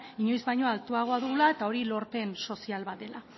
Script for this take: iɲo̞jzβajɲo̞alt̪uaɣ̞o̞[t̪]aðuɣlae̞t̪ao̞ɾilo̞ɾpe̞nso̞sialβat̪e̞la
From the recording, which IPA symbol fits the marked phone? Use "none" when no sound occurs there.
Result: none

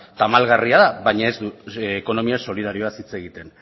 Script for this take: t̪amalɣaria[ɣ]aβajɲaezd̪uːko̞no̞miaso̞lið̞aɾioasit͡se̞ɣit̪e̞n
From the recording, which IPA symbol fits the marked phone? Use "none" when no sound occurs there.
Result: ð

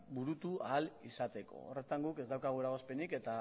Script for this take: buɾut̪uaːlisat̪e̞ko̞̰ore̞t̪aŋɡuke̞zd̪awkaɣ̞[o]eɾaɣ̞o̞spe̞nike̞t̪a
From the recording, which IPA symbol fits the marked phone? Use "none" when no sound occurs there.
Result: u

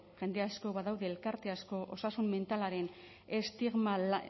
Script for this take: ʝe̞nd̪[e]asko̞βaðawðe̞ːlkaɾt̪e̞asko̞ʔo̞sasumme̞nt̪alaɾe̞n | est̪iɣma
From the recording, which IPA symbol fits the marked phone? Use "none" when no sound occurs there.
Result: e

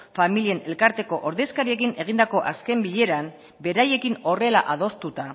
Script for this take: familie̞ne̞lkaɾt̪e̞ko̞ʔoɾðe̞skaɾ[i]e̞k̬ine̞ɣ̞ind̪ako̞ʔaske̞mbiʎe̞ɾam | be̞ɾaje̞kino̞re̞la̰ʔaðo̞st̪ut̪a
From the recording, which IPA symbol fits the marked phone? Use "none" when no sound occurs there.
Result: i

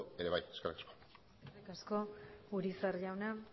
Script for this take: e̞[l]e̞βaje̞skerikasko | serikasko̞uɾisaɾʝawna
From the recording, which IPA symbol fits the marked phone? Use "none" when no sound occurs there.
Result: ɾ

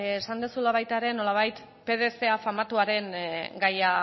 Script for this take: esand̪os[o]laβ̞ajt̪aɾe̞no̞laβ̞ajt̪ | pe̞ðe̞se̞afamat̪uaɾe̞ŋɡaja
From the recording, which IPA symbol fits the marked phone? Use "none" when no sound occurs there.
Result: u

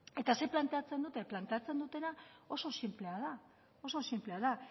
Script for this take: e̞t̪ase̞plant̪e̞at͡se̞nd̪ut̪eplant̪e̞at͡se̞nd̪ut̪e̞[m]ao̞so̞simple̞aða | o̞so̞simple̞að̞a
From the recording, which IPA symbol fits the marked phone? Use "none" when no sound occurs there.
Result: n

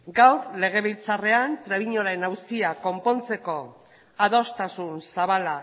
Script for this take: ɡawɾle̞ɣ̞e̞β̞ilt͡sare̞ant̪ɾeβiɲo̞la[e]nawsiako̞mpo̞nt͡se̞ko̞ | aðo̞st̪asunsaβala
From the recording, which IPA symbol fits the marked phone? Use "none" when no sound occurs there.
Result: e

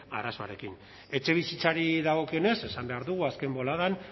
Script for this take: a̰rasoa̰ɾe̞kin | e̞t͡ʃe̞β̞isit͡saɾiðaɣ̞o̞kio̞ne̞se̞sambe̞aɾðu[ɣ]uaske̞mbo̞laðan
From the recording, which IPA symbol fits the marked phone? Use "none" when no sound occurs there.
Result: ɣ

